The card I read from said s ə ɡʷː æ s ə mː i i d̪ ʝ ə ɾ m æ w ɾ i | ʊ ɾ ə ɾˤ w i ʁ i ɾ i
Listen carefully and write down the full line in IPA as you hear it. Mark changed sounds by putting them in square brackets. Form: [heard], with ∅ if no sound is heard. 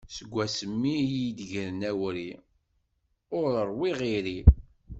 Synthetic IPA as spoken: s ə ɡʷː æ s ə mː i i d̪ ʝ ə ɾ [n] æ w ɾ i | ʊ ɾ ə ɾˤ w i ʁ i ɾ i